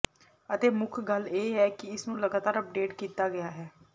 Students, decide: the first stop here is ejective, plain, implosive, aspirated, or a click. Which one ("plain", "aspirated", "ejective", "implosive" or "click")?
plain